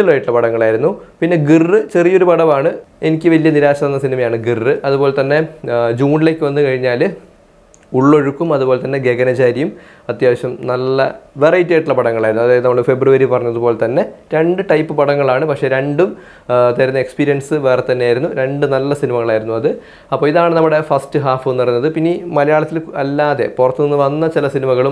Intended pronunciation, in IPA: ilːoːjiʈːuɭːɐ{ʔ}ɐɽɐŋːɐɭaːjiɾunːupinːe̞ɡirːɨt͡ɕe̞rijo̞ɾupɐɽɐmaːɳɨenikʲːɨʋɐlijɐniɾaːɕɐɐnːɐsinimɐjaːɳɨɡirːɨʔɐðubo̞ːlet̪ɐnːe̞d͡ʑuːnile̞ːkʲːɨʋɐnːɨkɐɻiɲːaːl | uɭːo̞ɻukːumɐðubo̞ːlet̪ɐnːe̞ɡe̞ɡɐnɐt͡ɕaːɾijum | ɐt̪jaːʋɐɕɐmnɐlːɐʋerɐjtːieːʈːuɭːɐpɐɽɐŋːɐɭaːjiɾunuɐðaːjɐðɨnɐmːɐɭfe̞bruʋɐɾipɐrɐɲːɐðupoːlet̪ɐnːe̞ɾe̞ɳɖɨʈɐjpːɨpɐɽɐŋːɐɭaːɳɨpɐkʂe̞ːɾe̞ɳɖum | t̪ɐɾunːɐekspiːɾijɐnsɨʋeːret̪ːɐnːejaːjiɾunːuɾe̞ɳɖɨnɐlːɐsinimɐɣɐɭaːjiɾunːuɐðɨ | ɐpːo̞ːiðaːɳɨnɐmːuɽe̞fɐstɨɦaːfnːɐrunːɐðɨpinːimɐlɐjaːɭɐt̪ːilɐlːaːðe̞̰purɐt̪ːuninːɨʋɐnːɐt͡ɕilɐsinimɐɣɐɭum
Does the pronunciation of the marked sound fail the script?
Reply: yes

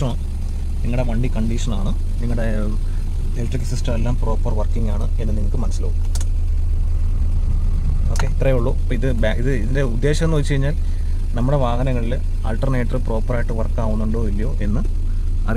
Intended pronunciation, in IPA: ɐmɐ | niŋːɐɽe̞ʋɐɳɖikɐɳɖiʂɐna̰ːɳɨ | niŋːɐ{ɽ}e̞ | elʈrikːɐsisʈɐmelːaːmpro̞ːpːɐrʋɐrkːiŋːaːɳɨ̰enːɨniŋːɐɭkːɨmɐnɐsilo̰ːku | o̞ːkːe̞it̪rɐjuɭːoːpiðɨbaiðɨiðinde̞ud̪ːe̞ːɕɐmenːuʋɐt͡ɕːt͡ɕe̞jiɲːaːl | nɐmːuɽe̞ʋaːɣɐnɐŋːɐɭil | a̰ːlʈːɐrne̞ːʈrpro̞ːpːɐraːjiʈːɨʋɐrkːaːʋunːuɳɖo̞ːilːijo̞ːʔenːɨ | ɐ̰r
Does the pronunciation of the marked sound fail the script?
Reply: no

